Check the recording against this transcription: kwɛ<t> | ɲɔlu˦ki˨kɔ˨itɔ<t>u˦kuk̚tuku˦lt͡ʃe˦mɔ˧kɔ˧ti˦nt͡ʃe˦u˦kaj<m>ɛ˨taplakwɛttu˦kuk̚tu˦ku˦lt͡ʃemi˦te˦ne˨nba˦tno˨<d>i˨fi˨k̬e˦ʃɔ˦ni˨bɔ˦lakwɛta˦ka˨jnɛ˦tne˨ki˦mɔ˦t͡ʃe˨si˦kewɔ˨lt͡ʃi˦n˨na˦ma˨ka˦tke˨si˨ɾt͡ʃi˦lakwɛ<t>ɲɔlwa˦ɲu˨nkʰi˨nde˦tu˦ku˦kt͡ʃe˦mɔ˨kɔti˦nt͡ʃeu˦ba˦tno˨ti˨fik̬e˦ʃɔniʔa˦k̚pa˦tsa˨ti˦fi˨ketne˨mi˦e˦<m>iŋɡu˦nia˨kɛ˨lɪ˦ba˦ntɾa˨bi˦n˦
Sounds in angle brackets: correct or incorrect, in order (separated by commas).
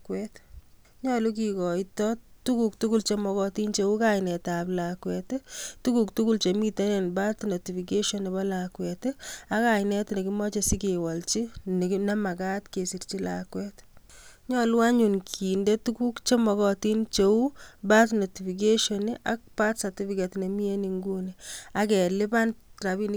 correct, correct, incorrect, incorrect, correct, incorrect